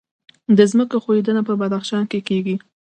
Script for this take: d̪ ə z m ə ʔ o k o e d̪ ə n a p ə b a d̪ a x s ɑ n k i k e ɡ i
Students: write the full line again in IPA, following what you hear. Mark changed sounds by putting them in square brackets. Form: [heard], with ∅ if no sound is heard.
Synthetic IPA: d̪ ə z m ə [k] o [x] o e d̪ ə n a p ə b a d̪ a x [ʃ] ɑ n k [e] k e ɡ i

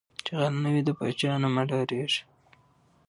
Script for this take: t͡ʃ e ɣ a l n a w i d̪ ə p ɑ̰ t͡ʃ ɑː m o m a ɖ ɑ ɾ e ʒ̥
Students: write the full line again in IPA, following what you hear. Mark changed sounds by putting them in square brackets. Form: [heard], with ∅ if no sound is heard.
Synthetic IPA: t͡ʃ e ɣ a l n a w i d̪ ə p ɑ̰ t͡ʃ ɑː [n] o m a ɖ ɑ ɾ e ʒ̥

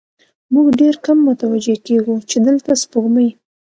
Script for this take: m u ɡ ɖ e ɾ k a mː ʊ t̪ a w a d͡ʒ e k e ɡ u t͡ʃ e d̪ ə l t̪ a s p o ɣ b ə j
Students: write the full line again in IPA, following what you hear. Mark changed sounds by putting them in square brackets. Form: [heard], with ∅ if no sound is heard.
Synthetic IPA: m u ɡ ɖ e ɾ k a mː ʊ t̪ a w a d͡ʒ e k e ɡ u t͡ʃ e d̪ ə l t̪ a s p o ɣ [m] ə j

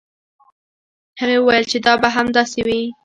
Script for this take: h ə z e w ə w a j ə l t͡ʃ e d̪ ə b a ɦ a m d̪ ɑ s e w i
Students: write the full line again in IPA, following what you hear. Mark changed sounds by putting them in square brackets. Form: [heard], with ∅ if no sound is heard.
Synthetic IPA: h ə [ɣ] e w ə w a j ə l t͡ʃ e d̪ [ɑ] b a ɦ a m d̪ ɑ s e w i

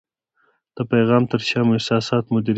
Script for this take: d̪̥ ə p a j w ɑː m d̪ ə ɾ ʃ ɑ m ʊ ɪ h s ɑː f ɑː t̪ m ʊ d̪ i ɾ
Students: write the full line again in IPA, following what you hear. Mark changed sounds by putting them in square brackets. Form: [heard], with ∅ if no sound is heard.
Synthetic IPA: d̪̥ ə p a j [ɣ] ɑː m [t̪] ə ɾ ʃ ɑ m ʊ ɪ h s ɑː [s] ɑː t̪ m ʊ d̪ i ɾ

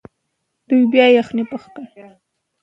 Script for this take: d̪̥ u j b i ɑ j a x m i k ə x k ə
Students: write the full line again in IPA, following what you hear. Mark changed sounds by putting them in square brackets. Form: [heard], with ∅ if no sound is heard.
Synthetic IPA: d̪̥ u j b [j] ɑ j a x [n] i [p] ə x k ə

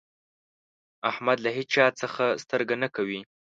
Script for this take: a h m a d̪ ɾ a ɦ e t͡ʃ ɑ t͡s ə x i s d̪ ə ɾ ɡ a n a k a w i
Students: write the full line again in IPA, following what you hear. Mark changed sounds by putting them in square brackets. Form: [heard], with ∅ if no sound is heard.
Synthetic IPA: a h m a d̪ [l] a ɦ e t͡ʃ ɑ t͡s ə x [a] s [t̪] ə ɾ ɡ a n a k a w i

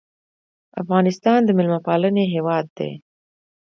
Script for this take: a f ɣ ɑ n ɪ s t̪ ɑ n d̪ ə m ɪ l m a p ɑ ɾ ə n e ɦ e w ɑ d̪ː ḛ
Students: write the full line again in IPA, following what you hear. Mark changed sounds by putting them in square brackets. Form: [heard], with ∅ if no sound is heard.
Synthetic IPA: a f ɣ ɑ n ɪ s t̪ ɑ n d̪ ə m ɪ l m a p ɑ [l] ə n e ɦ e w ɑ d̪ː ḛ

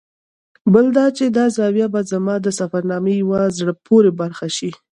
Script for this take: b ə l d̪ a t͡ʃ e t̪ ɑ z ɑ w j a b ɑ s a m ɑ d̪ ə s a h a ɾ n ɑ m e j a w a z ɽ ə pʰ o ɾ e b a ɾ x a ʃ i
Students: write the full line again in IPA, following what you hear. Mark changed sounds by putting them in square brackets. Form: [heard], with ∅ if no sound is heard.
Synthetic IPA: b ə l d̪ [ɑ] t͡ʃ e [d̪] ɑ z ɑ w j a b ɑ [z] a m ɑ d̪ ə s a [f] a ɾ n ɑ m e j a w a z ɽ ə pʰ o ɾ e b a ɾ x a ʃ i

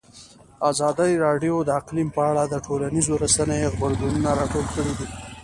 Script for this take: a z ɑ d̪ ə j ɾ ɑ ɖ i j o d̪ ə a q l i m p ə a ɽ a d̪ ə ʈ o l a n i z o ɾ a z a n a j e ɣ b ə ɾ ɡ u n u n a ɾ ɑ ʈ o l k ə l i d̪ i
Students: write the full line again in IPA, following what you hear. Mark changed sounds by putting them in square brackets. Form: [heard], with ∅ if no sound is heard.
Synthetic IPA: a z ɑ d̪ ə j ɾ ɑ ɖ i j o d̪ ə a q l i m p ə a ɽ a d̪ ə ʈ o l a n i z o ɾ a [s] a n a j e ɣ b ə ɾ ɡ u n u n a ɾ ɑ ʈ o l k ə [ɽ] i d̪ i

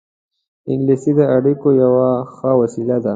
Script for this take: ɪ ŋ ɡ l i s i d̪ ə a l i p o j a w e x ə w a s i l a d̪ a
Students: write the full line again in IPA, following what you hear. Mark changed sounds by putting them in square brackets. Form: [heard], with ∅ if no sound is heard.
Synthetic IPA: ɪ ŋ ɡ l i s i d̪ ə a [ɽ] i [k] o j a w [a] x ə w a s i l a d̪ a

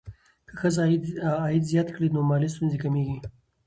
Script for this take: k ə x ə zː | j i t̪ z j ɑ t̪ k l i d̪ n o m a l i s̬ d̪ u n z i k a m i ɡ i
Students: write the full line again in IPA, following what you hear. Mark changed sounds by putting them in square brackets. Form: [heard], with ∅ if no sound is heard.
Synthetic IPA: k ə x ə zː | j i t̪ z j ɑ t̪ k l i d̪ n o m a l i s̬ [t̪] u n z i k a m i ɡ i

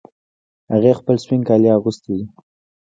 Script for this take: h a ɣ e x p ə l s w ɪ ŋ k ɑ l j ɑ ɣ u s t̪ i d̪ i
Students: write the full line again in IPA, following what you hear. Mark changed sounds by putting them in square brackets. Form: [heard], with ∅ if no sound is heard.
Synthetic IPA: h a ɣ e x p ə l s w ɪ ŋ k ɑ l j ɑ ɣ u s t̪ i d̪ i

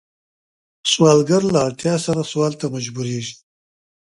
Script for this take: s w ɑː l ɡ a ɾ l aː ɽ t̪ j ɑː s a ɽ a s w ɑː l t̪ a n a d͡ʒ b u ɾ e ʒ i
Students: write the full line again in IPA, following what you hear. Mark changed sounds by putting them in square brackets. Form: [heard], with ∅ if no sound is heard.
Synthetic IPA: s w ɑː l ɡ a ɾ l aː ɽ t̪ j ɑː s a [ɾ] a s w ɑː l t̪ a [m] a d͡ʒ b u ɾ e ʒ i

